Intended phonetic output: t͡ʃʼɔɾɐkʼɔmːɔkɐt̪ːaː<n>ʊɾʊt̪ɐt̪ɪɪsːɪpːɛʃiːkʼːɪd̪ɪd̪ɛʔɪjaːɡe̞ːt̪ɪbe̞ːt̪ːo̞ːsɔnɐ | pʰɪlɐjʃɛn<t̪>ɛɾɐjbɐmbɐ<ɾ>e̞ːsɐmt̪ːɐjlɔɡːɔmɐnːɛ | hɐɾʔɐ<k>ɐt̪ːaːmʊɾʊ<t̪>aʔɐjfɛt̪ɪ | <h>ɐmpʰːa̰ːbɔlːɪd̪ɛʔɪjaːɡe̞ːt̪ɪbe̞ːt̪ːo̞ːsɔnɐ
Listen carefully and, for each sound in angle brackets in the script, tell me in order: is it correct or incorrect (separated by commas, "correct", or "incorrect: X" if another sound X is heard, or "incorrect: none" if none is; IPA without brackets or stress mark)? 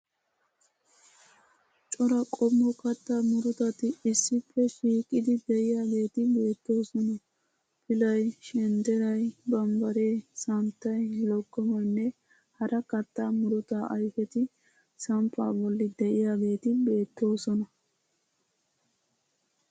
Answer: incorrect: m, incorrect: d̪, correct, correct, correct, incorrect: s